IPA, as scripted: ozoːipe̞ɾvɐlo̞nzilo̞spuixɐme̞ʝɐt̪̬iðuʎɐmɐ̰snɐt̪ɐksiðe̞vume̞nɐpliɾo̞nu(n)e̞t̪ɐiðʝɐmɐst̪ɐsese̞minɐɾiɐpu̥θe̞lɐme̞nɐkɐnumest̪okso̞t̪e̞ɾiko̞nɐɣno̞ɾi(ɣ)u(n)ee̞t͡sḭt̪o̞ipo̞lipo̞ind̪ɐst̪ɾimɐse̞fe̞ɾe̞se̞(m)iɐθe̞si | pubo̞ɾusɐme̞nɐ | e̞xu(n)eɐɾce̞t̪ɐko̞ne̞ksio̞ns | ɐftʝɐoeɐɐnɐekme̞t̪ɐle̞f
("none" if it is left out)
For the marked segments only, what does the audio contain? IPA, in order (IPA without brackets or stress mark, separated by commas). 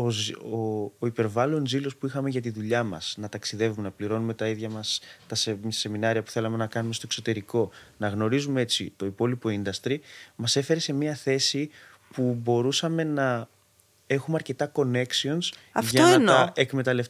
m, z, m, m, m